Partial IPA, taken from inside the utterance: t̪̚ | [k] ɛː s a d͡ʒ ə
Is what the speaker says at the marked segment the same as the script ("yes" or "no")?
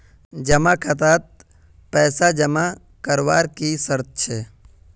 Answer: no